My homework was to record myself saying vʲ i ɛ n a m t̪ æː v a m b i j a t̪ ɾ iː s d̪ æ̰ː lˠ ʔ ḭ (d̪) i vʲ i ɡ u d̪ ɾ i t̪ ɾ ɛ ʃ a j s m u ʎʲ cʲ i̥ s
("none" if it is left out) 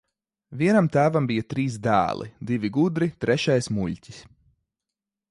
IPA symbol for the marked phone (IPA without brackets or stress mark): d̪